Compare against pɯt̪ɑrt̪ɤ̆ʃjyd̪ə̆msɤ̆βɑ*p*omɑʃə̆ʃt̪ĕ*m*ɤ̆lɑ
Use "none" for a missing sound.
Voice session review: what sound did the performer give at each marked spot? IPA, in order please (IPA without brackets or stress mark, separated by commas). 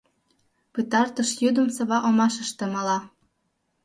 ʔ, m